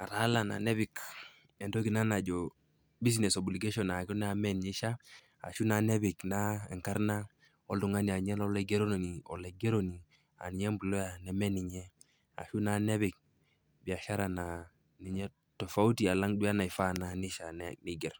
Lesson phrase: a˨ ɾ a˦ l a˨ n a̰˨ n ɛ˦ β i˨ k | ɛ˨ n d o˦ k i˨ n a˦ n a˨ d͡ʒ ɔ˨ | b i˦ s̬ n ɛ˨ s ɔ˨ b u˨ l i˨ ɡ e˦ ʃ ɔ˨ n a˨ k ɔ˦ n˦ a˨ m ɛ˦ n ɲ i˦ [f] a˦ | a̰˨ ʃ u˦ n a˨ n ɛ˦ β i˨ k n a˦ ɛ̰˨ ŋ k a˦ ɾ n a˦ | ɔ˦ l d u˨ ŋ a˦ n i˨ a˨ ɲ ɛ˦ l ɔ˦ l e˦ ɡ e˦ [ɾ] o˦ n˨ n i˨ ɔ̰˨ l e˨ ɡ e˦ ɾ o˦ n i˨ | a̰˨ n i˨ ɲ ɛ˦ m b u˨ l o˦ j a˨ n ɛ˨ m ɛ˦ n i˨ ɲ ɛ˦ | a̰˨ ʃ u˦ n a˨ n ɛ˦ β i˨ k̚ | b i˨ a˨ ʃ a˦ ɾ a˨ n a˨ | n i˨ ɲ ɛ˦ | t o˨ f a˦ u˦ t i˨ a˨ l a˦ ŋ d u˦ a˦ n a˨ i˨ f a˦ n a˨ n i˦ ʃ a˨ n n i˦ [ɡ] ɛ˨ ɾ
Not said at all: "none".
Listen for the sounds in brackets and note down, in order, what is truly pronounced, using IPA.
ʃ, ɾ, ɡ

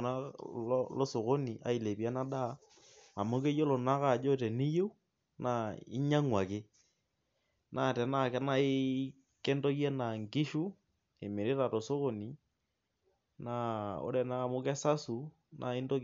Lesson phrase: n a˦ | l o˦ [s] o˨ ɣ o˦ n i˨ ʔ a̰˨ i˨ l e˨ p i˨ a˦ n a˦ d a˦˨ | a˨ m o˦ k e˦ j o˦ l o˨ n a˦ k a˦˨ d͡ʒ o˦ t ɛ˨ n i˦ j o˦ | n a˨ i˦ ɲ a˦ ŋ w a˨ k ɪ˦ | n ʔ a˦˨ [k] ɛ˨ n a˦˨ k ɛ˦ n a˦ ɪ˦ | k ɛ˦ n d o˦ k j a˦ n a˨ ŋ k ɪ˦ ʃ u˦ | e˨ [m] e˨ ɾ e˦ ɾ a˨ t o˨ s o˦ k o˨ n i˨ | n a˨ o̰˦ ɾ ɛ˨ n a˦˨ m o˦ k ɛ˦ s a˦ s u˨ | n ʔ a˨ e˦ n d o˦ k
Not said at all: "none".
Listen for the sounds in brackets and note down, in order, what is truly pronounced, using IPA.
s, t, m

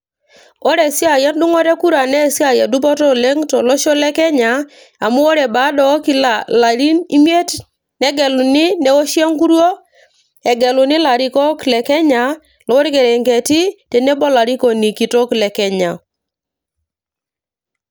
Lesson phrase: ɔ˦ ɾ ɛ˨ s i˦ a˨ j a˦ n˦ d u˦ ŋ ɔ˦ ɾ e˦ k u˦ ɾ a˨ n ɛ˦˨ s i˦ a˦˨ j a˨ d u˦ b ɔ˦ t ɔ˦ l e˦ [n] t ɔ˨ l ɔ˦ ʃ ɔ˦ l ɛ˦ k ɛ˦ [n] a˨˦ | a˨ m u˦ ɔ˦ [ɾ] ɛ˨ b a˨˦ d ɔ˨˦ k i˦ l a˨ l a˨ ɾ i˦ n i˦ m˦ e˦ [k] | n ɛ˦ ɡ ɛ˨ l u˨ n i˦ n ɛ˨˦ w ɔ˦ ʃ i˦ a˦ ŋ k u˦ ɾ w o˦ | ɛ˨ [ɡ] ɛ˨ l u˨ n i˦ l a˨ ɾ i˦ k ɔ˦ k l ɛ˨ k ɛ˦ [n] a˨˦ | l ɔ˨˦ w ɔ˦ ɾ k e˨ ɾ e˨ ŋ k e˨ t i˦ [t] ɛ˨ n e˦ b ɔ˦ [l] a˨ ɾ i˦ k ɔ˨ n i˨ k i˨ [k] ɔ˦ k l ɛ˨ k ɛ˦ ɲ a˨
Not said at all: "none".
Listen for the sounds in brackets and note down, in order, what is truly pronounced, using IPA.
ŋ, ɲ, ɾ, t, ɡ, ɲ, t, l, t

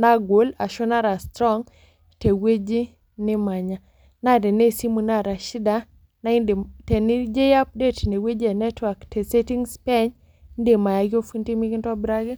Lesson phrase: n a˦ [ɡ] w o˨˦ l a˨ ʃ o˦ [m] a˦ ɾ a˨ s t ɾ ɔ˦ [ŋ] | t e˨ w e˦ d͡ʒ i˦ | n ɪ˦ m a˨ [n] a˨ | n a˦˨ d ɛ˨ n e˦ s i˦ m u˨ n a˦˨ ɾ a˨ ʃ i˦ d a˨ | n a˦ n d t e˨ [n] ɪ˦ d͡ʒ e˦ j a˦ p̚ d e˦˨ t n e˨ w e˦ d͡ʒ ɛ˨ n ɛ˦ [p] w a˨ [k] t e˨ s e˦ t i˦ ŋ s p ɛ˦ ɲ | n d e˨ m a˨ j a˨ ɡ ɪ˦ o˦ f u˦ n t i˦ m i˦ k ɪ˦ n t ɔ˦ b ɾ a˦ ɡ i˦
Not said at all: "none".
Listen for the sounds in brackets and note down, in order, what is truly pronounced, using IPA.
ɡ, n, ŋ, ɲ, n, t, k

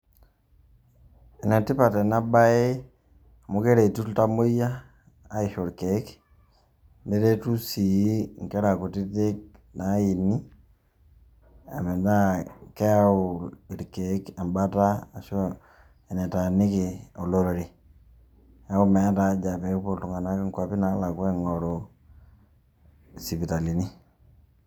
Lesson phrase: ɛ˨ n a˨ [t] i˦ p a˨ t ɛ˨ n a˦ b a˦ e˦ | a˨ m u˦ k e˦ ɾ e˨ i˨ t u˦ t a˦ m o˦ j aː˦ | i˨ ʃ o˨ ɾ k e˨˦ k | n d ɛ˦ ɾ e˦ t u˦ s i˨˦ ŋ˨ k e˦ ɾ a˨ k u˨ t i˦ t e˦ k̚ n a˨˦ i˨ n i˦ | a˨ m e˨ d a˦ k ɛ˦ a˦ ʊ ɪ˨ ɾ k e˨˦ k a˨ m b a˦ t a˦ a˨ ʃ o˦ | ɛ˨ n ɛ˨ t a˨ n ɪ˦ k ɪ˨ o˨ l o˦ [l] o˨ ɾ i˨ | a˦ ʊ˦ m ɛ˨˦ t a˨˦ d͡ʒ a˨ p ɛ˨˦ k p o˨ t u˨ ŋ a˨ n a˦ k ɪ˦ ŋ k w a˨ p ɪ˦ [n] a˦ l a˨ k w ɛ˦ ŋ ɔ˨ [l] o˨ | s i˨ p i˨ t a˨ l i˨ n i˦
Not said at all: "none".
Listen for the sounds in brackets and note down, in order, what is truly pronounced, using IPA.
t, ɾ, n, ɾ

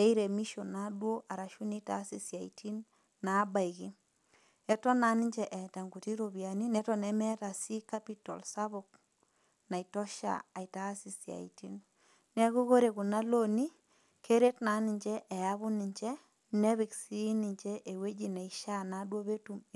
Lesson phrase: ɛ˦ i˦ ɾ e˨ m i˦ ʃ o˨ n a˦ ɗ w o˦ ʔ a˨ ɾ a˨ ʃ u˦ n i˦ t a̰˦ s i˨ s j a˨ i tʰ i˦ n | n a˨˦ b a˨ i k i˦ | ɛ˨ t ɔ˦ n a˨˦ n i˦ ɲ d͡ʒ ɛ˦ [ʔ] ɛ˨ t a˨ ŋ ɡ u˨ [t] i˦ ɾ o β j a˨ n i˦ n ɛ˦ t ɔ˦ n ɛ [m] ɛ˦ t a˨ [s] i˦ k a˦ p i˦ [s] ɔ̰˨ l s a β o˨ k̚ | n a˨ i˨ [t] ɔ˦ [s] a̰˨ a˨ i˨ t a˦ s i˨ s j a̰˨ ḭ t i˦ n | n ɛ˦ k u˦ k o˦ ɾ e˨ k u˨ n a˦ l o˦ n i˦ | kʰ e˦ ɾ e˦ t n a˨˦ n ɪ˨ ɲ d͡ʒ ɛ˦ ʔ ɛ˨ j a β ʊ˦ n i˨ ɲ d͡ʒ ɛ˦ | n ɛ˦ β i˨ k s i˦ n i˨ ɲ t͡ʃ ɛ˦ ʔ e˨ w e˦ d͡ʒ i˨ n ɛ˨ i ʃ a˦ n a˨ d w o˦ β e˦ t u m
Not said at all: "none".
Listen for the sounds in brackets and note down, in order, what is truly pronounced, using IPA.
ʔ, t, m, s, t, t, ʃ

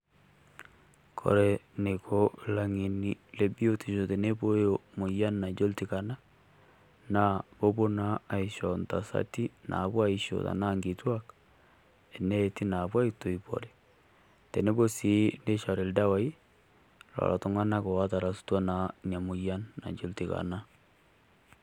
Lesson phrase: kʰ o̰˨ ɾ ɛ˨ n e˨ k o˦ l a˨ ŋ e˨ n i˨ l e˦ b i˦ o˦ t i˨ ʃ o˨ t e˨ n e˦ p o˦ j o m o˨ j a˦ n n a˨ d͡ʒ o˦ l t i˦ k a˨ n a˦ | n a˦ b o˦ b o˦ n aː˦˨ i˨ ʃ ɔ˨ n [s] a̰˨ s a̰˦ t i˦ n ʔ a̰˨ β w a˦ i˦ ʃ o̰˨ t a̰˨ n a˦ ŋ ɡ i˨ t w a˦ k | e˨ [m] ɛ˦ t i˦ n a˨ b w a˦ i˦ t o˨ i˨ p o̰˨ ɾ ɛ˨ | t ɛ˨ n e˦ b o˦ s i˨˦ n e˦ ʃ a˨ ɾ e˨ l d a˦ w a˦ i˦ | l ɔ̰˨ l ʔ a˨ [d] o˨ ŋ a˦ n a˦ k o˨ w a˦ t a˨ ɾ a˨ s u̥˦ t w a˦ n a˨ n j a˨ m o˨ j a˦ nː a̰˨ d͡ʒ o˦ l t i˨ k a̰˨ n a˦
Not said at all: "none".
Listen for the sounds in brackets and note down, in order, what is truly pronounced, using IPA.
t, n, t

